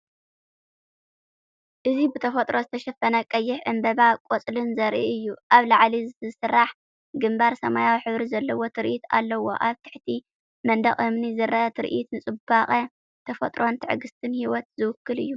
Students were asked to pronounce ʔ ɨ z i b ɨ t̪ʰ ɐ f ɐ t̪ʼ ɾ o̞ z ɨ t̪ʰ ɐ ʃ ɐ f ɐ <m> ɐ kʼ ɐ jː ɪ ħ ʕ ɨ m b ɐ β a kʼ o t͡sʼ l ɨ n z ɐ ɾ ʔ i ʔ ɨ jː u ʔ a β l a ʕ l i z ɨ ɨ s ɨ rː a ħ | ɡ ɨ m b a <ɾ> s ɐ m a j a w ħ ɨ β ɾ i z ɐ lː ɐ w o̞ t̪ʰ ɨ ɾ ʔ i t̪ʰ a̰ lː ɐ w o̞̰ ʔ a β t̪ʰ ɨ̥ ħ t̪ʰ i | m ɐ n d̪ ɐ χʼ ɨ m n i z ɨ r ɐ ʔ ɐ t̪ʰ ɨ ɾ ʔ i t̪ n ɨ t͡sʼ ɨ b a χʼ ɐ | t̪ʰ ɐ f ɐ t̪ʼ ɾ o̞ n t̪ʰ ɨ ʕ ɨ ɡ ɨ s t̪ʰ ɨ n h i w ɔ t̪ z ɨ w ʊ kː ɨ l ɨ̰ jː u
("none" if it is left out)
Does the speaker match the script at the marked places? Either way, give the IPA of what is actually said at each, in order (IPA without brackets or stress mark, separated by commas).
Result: n, ɾ